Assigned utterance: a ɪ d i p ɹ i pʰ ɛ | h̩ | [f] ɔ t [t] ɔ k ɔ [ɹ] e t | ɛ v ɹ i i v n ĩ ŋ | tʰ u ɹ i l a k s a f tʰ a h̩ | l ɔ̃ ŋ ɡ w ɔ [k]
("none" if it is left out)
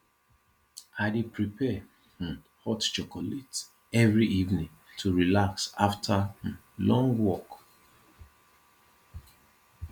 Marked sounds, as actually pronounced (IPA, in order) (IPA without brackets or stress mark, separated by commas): h, t͡ʃ, l, k